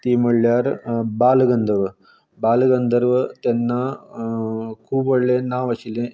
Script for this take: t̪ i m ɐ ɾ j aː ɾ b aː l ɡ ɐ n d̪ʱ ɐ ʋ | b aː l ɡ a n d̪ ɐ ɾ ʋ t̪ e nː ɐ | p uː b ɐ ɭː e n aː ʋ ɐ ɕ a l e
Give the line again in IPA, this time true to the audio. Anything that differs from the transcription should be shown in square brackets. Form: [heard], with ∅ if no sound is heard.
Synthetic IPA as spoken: t̪ i m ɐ [ɭ] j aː ɾ b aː l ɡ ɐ n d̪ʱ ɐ ʋ | b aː l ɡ [ɐ] n d̪ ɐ ɾ ʋ t̪ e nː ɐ | [k] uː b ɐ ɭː e n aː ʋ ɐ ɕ [i] l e